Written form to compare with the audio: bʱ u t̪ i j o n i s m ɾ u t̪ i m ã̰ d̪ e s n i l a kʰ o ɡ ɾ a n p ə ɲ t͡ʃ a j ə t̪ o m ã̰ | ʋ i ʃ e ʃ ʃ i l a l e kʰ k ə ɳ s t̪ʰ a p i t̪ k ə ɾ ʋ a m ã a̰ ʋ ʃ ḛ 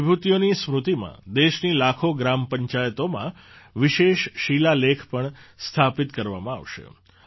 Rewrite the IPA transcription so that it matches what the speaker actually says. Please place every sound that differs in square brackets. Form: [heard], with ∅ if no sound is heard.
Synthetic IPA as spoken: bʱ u t̪ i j o n i s m ɾ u t̪ i m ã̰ d̪ e [ʃ] n i l a kʰ o ɡ ɾ a [m] p ə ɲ t͡ʃ a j ə t̪ o m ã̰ | ʋ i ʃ e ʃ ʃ i l a l e kʰ [p] ə ɳ s t̪ʰ a p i t̪ k ə ɾ ʋ a m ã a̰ ʋ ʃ ḛ